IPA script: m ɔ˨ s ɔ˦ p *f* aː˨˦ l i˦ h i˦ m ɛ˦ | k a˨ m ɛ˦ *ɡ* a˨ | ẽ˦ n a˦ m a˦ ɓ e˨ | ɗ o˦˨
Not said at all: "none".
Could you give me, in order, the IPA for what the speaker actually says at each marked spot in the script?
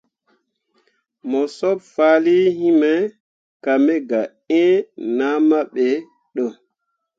f, ɡ

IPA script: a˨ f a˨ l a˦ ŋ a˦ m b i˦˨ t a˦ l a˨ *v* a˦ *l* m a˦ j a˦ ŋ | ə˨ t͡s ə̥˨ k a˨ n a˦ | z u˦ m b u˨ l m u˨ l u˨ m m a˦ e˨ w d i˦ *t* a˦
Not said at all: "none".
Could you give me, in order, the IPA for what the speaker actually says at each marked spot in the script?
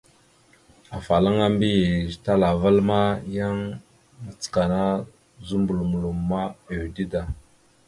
v, l, d

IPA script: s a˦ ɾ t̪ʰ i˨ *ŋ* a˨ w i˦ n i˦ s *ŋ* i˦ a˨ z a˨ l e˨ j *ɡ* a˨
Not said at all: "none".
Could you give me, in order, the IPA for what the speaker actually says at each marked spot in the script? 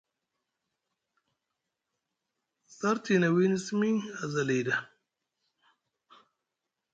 n, m, d

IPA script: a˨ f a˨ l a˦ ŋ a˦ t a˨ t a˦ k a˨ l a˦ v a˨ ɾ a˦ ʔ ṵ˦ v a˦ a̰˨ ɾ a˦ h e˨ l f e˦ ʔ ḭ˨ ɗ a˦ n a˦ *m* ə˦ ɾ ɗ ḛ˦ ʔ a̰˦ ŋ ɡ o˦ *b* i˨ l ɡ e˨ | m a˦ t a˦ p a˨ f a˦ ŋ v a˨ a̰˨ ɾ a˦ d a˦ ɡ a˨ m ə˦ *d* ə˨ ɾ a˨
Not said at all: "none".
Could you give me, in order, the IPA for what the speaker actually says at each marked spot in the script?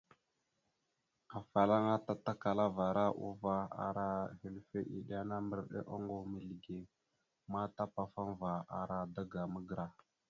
m, m, ɡ

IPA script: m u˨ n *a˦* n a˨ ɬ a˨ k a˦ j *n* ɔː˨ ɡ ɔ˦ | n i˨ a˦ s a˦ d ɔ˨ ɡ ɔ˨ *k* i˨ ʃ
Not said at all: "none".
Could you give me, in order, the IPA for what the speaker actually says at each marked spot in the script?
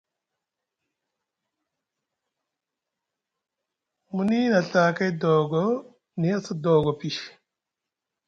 i˦, d, p

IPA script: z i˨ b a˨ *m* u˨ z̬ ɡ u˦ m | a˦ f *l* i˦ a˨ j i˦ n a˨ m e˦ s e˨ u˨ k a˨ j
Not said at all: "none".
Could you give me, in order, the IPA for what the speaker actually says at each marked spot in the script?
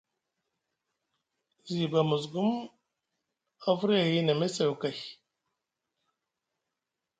m, ɾ

